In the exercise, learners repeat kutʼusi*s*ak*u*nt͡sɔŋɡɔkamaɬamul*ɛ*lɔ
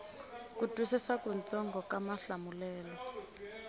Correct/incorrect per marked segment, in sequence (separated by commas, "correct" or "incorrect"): correct, correct, incorrect